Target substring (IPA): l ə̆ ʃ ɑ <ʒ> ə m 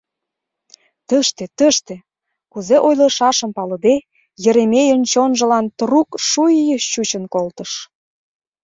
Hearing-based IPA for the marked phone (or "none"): ʃ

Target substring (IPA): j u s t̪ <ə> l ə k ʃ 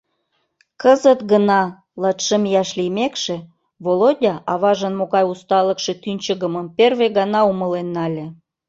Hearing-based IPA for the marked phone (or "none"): ɑ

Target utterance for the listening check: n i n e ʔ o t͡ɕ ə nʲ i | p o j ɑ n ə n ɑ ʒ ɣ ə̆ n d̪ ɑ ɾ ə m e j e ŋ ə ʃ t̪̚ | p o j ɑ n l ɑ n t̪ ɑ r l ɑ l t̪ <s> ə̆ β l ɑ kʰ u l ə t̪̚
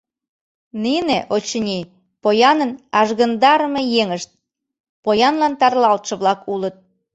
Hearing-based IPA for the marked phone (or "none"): ʃ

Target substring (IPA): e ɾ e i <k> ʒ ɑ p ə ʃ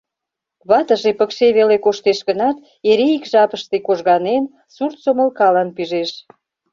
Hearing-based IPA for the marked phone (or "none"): k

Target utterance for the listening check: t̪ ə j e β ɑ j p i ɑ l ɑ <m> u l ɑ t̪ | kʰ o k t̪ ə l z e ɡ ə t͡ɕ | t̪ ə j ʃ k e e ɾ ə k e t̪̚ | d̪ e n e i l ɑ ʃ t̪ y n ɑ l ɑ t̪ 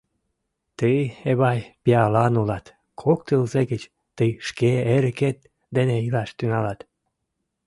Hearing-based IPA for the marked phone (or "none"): n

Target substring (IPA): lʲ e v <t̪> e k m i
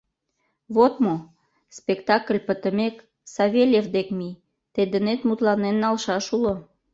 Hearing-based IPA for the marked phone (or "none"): d̪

